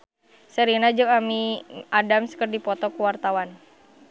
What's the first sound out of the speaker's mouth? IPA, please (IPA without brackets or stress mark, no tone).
s